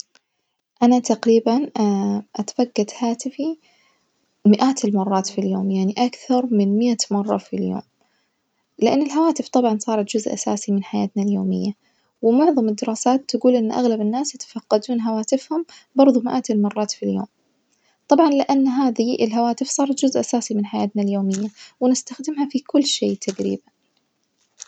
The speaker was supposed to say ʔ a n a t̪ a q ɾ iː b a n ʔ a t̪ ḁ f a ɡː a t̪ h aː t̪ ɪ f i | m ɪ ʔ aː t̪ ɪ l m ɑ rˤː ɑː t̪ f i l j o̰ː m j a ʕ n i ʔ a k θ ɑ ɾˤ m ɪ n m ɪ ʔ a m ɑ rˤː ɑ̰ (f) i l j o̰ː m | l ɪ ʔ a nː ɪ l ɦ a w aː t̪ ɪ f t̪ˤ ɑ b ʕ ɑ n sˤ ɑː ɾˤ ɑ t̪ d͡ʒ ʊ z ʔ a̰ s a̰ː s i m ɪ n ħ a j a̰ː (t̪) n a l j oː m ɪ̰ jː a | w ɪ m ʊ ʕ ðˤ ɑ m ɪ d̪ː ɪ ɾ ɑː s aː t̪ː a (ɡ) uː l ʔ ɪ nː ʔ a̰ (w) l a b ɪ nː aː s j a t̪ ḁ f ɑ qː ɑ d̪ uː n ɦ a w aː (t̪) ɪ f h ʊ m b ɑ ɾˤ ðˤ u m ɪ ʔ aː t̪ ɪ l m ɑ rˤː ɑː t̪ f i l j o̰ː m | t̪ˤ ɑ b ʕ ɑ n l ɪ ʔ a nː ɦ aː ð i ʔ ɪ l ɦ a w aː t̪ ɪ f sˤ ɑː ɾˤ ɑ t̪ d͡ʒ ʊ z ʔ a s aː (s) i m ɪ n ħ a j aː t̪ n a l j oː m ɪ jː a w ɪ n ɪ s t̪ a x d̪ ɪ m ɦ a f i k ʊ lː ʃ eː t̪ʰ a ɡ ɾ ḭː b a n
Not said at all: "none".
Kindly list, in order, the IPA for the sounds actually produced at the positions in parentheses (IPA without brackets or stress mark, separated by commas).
f, t̪, ɡ, ɣ, t̪, s